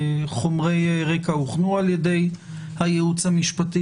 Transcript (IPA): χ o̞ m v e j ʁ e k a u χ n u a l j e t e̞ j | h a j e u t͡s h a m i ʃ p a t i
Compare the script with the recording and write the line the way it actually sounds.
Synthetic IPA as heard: χ o̞ m ʁ e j ʁ e k a u χ n u a l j e d e̞ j | h a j e u t͡s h a m i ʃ p a t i